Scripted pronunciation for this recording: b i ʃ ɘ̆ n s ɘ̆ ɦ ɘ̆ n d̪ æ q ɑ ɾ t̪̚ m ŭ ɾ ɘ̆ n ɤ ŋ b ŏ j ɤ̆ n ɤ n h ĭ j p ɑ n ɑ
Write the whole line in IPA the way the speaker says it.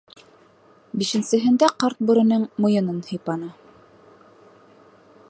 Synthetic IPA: b i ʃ ɘ̆ n s ɘ̆ ɦ ɘ̆ n d̪ æ q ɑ ɾ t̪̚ b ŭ ɾ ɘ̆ n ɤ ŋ m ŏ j ɤ̆ n ɤ n h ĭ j p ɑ n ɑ

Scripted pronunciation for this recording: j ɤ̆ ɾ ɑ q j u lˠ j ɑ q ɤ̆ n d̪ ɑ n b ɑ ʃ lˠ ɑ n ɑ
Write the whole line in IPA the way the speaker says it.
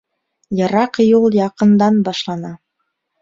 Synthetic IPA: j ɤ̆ ɾ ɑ q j u lˠ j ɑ q ɤ̆ n d̪ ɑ n b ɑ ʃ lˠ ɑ n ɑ

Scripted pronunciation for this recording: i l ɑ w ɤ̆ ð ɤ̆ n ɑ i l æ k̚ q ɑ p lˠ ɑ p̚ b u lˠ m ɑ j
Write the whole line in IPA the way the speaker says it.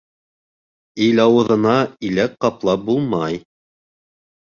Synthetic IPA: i l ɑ w ɤ̆ ð ɤ̆ n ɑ i l æ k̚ q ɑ p lˠ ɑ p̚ b u lˠ m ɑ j

